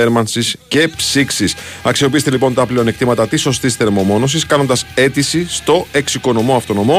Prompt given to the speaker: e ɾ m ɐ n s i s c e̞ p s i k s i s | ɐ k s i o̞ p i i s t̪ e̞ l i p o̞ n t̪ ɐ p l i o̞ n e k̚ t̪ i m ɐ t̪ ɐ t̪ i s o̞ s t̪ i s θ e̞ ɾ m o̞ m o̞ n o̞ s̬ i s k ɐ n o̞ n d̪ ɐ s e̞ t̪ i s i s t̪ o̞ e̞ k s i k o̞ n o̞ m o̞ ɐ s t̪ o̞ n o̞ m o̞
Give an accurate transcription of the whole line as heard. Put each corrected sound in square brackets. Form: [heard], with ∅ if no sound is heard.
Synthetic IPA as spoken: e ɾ m ɐ n s i s c e̞ p s i k s i s | ɐ k s i o̞ p i i s t̪ e̞ l i p o̞ n t̪ ɐ p l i o̞ n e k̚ t̪ i m ɐ t̪ ɐ t̪ i s o̞ s t̪ i s θ e̞ ɾ m o̞ m o̞ n o̞ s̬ i s k ɐ n o̞ n d̪ ɐ s e̞ t̪ i s i s t̪ o̞ e̞ k s i k o̞ n o̞ m o̞ ɐ [f] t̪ o̞ n o̞ m o̞